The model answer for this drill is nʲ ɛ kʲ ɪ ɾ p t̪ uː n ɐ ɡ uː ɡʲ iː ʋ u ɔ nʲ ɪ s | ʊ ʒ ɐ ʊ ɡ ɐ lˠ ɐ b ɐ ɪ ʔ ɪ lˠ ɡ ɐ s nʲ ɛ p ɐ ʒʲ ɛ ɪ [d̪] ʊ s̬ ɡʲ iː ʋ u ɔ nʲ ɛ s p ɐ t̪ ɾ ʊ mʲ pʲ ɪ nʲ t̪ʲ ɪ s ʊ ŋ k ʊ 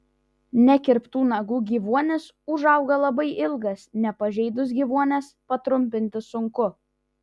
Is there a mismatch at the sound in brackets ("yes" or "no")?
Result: no